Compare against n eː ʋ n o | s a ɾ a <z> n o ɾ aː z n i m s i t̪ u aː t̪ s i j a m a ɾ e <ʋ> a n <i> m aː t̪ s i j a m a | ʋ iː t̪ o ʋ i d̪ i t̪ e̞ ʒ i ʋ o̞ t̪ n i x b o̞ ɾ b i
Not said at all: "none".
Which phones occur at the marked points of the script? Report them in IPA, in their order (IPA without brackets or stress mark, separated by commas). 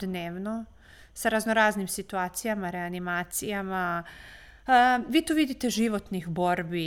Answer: z, none, i